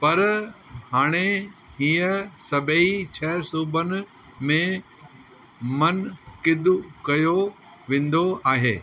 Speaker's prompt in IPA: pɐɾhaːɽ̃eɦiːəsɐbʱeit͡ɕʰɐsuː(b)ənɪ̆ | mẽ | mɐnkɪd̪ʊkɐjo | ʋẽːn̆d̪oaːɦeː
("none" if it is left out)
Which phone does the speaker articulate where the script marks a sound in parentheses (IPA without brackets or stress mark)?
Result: b